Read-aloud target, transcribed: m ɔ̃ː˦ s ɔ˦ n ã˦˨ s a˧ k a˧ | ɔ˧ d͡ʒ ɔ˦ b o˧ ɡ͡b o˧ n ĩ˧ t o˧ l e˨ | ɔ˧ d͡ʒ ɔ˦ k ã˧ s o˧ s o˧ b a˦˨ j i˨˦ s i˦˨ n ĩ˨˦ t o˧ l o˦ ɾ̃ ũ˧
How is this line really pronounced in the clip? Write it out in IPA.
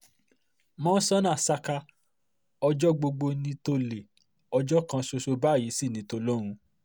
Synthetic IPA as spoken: m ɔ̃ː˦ s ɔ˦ n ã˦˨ s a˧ k a˧ | ɔ˧ d͡ʒ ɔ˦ ɡ͡b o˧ ɡ͡b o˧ n ĩ˧ t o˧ l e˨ | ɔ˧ d͡ʒ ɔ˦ k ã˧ s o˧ s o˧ b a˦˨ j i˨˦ s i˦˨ n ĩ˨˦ t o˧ l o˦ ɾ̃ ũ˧